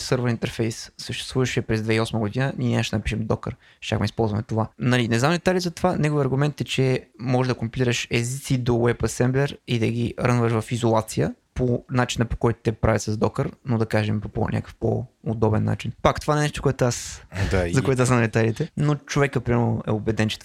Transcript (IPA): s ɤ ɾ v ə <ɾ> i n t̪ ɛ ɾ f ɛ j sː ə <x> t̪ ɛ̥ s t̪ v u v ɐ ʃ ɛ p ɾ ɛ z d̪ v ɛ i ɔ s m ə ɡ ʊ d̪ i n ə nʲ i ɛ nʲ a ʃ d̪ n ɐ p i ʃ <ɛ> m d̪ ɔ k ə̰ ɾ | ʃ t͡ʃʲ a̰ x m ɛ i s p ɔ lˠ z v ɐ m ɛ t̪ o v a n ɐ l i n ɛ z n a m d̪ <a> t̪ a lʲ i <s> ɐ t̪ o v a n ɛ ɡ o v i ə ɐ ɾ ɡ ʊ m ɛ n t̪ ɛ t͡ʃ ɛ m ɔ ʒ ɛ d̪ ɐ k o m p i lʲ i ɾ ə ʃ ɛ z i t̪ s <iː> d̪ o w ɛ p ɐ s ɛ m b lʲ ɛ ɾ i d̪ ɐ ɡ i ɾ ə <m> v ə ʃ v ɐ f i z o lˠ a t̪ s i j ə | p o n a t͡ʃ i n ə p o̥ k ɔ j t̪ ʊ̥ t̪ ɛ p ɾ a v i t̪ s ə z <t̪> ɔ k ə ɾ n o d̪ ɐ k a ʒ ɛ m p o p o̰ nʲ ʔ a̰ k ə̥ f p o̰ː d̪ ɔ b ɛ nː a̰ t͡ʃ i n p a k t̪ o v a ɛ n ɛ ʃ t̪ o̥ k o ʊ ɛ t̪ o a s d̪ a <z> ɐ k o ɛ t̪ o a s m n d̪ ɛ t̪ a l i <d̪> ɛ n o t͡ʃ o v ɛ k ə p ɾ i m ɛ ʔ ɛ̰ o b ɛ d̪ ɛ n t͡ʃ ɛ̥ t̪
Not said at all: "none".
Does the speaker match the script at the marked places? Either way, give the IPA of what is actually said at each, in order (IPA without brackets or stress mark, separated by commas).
ɾ, ʃ, ɛ, ɛ, z, i, n, d̪, z, t̪